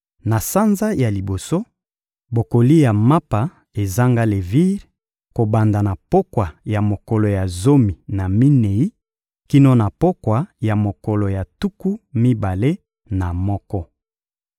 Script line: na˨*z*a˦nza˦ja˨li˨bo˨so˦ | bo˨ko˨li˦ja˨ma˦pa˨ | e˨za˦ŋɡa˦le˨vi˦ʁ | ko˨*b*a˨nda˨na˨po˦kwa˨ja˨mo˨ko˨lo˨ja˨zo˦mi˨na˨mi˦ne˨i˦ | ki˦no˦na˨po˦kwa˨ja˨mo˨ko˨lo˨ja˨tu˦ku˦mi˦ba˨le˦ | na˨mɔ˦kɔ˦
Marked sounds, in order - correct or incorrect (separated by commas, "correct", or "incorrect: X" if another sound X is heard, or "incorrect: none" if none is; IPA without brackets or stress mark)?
incorrect: s, correct